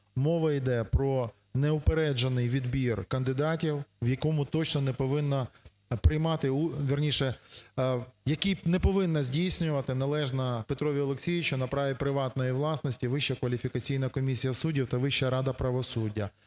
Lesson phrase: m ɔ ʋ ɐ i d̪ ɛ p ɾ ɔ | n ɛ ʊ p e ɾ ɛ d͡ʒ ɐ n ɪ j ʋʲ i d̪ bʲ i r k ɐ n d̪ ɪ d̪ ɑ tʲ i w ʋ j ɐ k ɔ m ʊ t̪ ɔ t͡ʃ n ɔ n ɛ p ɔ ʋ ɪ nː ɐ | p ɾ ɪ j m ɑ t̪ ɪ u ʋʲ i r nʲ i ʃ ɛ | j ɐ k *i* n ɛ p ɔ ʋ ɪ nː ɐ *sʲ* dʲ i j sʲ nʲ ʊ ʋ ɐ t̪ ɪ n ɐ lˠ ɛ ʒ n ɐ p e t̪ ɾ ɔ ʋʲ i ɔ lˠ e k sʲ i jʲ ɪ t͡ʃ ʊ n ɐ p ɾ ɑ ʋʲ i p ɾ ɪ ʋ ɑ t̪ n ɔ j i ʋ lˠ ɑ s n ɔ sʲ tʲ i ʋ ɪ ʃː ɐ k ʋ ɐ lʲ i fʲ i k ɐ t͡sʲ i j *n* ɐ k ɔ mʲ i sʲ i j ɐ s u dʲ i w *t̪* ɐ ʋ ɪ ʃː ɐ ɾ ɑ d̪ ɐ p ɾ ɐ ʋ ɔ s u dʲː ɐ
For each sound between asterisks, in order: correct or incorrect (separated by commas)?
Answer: correct, incorrect, correct, correct